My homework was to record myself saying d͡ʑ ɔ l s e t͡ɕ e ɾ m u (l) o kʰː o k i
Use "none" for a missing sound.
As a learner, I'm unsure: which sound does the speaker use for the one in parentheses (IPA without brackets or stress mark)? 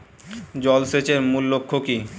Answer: lː